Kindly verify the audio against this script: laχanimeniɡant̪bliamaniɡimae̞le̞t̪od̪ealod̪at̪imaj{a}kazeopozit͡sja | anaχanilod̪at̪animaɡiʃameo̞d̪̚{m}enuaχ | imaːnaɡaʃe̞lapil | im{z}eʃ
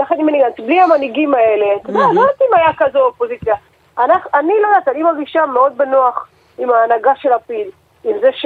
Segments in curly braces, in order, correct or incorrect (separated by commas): correct, incorrect, correct